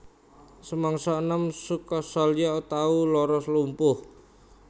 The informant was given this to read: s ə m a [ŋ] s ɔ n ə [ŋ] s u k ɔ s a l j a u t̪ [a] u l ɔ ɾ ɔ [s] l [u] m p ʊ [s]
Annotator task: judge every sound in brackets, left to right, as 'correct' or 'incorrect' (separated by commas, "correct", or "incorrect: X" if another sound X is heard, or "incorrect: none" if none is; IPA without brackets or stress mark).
correct, incorrect: m, correct, correct, correct, incorrect: h